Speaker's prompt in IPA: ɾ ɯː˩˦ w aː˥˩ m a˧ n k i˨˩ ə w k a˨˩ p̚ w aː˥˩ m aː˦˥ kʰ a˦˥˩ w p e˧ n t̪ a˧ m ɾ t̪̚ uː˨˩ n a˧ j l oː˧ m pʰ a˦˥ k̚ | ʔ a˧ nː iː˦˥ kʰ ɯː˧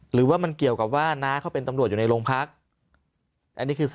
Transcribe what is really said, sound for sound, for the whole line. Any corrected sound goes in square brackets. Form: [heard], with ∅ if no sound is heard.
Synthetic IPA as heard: ɾ ɯː˩˦ w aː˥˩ m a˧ n k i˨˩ ə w k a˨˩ p̚ w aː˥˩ [n] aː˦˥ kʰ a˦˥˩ w p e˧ n t̪ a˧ m ɾ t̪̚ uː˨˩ n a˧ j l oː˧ [ŋ] pʰ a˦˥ k̚ | ʔ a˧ nː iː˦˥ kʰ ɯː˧